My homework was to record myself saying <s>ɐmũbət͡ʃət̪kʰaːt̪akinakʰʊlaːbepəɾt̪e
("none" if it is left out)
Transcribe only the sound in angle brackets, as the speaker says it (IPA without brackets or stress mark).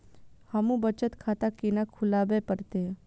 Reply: h